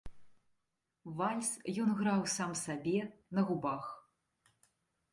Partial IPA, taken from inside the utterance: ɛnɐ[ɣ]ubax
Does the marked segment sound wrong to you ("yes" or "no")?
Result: no